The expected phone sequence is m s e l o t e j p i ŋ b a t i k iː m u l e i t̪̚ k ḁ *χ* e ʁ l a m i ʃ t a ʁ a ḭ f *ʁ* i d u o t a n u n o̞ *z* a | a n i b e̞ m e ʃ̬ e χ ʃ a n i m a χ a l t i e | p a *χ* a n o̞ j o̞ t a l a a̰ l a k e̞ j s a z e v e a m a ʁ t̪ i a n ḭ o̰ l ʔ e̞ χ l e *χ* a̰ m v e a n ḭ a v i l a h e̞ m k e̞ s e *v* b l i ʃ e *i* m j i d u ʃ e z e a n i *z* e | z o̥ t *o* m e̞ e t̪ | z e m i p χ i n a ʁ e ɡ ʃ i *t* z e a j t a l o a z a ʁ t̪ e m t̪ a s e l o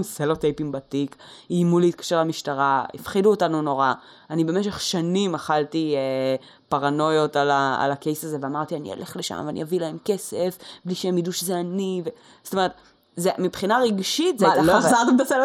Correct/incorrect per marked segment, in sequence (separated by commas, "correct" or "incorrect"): incorrect, incorrect, incorrect, incorrect, incorrect, incorrect, incorrect, incorrect, correct, correct